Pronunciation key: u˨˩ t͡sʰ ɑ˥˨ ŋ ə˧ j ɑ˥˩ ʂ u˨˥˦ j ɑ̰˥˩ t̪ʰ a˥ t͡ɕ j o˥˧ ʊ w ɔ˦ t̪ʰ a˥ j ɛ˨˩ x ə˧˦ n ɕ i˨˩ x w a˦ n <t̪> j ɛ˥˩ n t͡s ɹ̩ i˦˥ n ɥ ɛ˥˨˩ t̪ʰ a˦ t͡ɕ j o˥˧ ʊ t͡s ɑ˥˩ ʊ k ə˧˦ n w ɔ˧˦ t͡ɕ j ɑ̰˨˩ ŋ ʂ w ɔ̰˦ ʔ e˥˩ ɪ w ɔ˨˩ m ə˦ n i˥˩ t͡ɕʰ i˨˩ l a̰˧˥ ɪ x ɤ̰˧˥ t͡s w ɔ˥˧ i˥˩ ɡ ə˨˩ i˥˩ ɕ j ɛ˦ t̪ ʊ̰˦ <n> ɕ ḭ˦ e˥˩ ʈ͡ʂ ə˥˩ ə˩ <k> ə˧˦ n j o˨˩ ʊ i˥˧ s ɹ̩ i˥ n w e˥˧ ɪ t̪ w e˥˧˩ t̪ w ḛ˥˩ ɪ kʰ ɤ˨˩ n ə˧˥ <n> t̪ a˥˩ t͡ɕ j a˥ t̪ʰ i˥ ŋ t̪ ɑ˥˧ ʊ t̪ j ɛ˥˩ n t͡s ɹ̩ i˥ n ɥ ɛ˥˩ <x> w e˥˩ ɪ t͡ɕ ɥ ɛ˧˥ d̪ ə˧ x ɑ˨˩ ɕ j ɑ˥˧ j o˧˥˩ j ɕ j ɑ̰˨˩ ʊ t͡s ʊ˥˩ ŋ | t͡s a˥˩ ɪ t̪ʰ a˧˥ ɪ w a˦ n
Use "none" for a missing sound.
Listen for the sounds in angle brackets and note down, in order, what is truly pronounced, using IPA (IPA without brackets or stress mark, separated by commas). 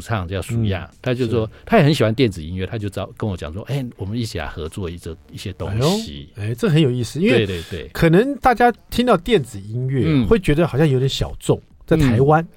t̪, ŋ, x, ŋ, x